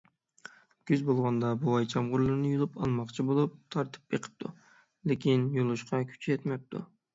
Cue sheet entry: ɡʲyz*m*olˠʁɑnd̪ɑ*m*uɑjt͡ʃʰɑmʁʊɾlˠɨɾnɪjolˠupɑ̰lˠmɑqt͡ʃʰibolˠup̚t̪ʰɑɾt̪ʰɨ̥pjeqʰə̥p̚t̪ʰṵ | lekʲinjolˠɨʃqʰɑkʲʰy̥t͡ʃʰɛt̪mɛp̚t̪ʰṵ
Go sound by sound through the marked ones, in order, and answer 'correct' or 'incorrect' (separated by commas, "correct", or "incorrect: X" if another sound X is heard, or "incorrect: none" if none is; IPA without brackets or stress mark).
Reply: incorrect: b, incorrect: b